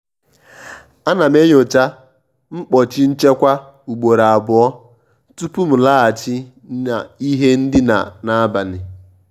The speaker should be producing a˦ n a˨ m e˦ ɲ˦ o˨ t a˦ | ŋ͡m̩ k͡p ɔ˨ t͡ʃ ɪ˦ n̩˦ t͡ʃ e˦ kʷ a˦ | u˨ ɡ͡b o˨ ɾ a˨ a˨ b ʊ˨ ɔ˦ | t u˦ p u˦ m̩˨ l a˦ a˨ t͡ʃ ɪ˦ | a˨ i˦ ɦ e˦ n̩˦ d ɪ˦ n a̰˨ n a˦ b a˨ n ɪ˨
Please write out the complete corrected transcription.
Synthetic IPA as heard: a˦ n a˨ m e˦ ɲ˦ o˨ t͡ʃ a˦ | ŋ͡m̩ k͡p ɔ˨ t͡ʃ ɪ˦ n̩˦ t͡ʃ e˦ kʷ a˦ | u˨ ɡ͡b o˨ ɾ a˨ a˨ b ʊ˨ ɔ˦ | t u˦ p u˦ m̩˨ l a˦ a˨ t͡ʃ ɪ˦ | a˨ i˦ ɦ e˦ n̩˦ d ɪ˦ n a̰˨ n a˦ b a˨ n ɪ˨